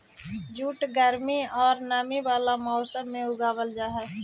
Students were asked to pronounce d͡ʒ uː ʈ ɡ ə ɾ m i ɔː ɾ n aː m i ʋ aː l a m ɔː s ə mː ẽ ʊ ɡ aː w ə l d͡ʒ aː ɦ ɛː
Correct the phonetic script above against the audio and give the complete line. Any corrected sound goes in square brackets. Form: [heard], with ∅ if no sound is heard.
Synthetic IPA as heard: d͡ʒ uː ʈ ɡ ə ɾ m i ɔː ɾ n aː m i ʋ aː l a m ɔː s ə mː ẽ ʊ ɡ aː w ə l d͡ʒ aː ɦ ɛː